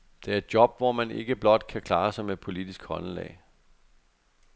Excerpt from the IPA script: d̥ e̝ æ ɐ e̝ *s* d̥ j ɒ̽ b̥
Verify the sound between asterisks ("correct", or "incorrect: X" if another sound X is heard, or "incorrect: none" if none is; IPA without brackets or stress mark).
incorrect: none